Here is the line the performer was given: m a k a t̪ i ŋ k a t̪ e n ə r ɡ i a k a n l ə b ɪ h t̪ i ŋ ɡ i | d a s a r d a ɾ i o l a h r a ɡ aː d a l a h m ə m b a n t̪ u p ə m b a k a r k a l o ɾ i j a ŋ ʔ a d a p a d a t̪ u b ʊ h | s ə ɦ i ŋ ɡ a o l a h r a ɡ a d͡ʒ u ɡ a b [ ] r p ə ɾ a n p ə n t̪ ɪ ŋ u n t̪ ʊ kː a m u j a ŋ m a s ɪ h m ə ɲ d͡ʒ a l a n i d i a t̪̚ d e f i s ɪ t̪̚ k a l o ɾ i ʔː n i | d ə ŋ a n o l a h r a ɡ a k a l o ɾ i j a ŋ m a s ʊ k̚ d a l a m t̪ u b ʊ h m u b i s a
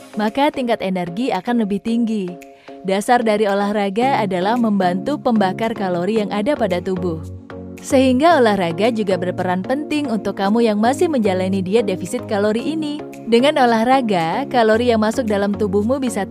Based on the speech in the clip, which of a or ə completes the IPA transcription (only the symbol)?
ə